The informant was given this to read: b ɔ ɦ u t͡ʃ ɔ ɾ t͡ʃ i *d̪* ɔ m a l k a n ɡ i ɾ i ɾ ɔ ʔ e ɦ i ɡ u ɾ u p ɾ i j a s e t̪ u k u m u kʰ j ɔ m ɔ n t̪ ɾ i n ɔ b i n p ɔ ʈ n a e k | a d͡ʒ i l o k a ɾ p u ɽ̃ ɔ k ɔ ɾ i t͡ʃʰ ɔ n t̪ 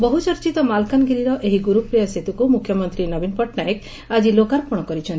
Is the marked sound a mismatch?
yes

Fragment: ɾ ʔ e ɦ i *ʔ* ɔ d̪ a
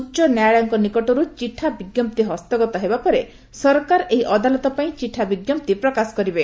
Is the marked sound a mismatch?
no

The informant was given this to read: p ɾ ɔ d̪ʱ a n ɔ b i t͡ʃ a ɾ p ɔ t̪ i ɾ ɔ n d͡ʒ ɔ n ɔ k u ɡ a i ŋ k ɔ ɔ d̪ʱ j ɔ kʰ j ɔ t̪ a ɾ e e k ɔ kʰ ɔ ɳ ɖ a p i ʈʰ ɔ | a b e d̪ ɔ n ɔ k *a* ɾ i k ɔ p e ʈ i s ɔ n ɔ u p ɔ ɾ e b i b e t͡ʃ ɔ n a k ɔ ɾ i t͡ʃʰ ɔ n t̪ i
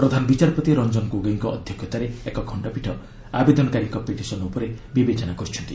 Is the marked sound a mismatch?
no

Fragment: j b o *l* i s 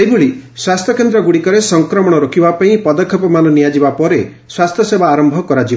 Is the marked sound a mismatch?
yes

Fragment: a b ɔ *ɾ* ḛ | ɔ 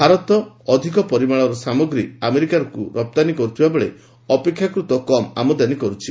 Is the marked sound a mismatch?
yes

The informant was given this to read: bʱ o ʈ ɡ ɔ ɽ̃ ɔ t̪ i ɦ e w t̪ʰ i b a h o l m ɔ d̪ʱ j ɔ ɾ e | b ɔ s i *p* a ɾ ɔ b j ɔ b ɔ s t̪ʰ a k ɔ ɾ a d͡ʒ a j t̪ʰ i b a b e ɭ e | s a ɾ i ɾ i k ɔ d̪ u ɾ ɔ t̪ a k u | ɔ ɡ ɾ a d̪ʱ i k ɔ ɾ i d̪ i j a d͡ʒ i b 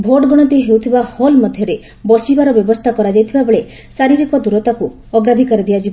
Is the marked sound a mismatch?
yes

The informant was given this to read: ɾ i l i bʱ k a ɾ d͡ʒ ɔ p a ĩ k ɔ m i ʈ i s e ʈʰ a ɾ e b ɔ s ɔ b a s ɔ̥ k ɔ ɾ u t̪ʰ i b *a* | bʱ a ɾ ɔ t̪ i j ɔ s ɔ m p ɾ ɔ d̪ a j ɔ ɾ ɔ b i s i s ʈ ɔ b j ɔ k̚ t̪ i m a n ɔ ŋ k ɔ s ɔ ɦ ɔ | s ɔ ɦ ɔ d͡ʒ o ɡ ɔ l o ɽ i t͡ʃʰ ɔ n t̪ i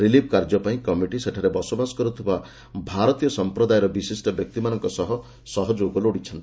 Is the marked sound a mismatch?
no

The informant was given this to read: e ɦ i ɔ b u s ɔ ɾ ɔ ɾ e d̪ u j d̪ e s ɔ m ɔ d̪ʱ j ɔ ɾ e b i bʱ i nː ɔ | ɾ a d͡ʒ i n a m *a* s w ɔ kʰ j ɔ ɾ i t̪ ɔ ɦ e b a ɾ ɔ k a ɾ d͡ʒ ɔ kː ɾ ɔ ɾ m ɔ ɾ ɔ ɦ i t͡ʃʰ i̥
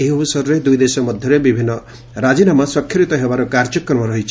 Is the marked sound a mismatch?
no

